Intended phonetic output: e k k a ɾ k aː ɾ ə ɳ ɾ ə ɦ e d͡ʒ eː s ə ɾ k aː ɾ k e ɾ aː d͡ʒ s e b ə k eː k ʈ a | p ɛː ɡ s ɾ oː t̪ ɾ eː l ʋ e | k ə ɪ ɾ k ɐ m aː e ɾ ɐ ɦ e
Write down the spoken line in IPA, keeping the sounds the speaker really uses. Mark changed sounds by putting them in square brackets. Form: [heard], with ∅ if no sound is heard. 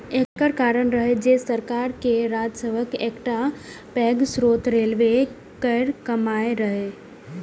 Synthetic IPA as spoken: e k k [ə] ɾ k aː ɾ ə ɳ ɾ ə ɦ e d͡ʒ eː s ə ɾ k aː ɾ k e ɾ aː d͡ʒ s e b ə k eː k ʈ a | p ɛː ɡ s ɾ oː t̪ ɾ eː l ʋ e | k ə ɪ ɾ k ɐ m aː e ɾ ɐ ɦ e